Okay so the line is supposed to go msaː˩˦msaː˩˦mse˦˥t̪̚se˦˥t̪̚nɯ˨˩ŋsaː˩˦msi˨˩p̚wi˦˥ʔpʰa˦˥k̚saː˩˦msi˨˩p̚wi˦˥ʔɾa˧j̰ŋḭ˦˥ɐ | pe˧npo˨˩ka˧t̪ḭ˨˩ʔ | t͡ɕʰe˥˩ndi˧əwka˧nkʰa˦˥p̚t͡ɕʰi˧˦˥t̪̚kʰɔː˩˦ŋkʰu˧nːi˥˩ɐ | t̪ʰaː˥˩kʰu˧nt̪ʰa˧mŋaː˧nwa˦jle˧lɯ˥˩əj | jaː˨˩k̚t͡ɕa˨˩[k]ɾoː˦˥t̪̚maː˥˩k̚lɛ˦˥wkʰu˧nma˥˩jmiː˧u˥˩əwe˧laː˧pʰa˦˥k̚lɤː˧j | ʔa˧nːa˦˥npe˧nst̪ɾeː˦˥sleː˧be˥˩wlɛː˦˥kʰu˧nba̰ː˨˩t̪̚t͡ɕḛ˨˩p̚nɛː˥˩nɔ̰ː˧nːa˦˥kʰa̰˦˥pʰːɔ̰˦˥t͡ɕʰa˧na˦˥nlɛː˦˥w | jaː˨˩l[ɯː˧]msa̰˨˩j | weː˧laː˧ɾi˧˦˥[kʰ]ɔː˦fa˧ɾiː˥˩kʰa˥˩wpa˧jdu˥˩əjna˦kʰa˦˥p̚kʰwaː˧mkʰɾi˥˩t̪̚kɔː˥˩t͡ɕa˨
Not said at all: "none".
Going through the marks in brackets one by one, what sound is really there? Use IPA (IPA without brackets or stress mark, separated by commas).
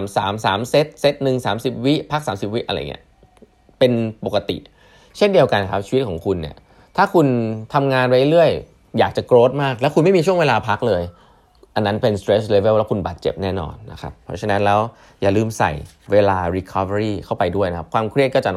k, ɯː˥˩, kʰ